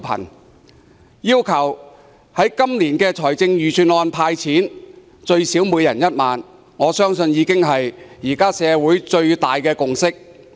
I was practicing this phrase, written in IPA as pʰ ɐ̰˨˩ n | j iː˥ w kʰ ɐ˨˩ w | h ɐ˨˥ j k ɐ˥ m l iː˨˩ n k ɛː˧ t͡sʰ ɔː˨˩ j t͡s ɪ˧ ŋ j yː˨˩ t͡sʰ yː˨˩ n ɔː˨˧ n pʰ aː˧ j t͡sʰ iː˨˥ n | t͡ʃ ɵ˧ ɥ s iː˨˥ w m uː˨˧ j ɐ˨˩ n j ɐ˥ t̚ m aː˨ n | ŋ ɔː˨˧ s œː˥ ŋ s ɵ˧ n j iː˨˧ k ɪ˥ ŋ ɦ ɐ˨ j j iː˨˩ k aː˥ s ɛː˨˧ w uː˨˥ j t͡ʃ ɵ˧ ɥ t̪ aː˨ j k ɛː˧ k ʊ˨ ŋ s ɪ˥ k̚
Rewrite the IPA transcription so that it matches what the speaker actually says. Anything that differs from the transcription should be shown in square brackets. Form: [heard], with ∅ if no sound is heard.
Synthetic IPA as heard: pʰ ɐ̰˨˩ n | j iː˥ w kʰ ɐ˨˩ w | h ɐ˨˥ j k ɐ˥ m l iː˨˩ n k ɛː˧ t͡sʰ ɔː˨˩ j t͡s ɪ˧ ŋ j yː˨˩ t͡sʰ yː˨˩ n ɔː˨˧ n pʰ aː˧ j t͡sʰ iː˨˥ n | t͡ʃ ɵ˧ ɥ s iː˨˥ w m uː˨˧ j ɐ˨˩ n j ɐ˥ t̚ m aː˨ n | ŋ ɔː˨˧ s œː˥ ŋ s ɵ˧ n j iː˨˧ k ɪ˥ ŋ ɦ ɐ˨ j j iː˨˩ k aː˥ s ɛː˨˧ w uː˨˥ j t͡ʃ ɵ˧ ɥ t̪ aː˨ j k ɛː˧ k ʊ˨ ŋ s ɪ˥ k̚